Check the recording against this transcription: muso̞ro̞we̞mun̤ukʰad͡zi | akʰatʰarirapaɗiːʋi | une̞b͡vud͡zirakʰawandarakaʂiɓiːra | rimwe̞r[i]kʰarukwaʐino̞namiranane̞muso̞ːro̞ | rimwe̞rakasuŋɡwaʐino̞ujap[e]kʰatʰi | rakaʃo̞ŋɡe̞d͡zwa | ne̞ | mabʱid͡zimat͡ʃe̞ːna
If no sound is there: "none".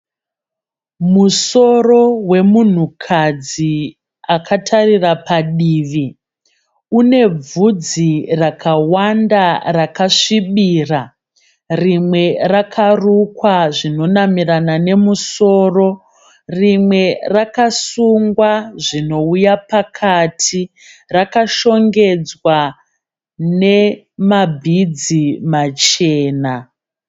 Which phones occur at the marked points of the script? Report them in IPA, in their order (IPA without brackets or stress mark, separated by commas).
a, a